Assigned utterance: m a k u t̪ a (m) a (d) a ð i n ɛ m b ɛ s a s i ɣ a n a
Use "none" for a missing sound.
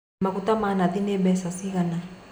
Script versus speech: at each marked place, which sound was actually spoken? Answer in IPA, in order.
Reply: m, n

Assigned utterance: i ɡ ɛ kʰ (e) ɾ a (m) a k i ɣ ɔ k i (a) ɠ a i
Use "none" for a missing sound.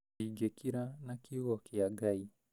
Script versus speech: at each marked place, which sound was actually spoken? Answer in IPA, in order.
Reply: i, n, a

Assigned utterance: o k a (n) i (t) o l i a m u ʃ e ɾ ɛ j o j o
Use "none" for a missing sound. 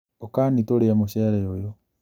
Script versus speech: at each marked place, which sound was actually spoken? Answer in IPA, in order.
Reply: n, t

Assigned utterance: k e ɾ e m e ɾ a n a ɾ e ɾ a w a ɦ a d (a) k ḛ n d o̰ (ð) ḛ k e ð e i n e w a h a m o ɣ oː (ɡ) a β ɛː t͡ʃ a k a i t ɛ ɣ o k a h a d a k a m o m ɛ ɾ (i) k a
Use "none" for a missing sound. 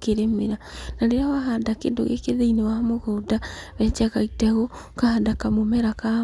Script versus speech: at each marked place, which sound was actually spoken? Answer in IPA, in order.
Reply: a, ɣ, d, a

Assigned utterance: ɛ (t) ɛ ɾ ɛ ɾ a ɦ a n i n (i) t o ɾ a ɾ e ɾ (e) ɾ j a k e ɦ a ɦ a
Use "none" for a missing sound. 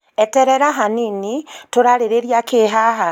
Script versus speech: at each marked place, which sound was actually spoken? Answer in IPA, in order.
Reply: t, i, e

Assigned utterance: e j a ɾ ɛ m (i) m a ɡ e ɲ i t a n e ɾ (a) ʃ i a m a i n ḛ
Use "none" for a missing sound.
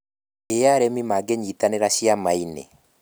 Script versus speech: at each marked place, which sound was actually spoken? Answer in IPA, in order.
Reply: i, a

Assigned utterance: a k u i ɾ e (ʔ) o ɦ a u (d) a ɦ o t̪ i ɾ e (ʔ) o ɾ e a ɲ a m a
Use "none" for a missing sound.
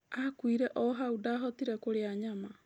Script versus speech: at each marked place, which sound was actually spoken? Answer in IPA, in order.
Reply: ʔ, d, k

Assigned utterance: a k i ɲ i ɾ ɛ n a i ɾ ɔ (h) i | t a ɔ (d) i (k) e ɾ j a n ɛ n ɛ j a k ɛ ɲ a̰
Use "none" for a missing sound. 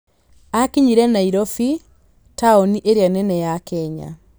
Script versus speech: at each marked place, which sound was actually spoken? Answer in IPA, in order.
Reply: f, n, ʔ

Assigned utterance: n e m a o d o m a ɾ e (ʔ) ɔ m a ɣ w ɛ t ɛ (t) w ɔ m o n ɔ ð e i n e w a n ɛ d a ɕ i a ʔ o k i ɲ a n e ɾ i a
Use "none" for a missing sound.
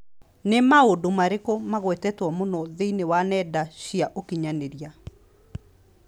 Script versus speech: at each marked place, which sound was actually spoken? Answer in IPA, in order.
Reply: k, t

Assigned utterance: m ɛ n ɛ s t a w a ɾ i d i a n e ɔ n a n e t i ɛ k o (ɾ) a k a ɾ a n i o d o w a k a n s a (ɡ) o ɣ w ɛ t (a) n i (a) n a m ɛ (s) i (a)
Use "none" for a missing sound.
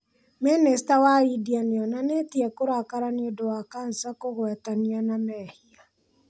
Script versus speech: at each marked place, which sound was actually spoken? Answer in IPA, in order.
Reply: ɾ, k, a, a, h, a

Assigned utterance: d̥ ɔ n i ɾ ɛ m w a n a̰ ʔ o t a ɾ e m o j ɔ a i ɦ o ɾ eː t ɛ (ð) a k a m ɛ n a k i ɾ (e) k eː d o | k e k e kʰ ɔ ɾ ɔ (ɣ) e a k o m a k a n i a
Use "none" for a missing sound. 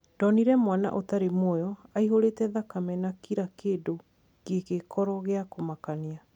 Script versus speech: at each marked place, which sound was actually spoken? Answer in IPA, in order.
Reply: ð, a, ɣ

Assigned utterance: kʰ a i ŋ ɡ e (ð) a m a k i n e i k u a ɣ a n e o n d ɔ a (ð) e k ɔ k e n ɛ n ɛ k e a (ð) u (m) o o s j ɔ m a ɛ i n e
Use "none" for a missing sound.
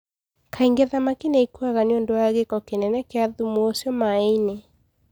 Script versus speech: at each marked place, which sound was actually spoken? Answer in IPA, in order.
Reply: ð, ɣ, ð, m

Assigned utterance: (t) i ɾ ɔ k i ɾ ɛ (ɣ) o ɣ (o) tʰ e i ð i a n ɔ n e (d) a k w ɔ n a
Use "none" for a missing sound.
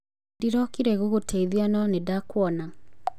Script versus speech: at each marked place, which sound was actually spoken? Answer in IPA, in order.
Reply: d, ɣ, o, d

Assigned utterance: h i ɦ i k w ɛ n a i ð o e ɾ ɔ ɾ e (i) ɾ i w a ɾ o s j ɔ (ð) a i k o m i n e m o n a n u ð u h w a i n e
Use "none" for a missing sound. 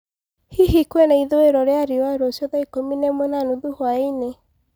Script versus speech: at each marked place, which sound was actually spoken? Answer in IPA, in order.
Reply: a, ð

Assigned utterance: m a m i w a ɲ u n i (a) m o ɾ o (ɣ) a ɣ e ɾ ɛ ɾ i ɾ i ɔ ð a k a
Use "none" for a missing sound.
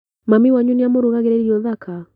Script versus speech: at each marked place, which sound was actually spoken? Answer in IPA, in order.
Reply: a, ɣ

